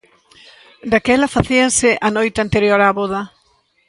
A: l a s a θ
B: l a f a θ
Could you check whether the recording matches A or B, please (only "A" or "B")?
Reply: B